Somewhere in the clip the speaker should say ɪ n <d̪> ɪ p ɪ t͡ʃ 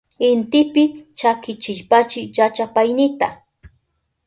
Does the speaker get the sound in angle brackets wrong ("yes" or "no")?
yes